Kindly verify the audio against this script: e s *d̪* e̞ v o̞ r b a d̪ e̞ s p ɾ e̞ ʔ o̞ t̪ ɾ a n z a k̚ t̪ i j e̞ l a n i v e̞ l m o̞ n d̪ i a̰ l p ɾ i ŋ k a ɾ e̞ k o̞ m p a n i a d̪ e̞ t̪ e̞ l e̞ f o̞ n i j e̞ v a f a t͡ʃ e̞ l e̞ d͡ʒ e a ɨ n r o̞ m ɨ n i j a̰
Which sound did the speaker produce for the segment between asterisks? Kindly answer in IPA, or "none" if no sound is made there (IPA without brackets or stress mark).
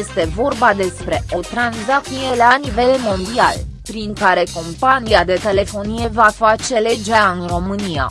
t̪